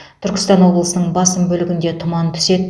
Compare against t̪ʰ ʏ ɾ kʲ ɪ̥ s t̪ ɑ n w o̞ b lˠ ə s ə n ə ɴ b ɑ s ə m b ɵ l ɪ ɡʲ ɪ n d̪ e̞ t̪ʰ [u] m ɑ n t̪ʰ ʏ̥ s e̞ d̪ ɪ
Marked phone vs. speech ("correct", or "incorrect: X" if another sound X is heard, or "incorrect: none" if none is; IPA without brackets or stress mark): incorrect: ʊ